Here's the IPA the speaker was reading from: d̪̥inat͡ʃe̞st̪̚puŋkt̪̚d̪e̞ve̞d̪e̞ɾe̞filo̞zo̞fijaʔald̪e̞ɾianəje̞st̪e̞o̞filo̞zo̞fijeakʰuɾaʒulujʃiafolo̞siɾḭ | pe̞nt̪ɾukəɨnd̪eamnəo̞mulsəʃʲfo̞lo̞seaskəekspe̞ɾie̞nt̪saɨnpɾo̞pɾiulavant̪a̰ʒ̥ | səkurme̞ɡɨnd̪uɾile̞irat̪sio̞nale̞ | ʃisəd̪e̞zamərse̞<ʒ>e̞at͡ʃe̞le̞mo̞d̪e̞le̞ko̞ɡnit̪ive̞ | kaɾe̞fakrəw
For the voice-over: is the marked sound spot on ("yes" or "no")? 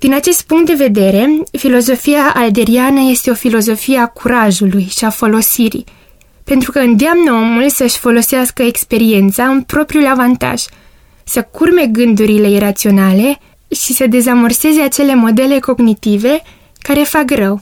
no